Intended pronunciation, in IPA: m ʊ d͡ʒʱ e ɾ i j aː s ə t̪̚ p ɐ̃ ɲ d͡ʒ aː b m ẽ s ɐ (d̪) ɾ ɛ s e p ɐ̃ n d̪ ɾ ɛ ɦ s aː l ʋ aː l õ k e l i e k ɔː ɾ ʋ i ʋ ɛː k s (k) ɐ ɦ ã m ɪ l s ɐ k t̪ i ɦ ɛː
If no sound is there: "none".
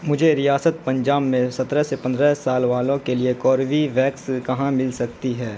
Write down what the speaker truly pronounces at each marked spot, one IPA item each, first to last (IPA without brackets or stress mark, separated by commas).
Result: t̪, k